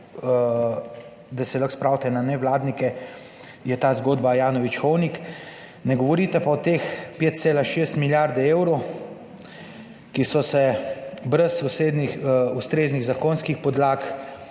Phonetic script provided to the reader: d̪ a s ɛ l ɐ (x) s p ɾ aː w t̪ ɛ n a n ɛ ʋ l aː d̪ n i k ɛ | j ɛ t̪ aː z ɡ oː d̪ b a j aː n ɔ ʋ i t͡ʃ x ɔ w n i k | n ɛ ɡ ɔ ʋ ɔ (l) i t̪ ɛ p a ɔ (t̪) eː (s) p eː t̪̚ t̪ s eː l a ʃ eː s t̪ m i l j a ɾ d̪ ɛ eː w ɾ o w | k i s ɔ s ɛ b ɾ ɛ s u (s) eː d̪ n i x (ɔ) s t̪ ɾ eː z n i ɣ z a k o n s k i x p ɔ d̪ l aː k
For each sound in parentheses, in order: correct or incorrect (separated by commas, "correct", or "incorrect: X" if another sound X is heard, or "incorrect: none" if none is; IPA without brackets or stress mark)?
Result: correct, incorrect: ɾ, correct, incorrect: x, correct, incorrect: u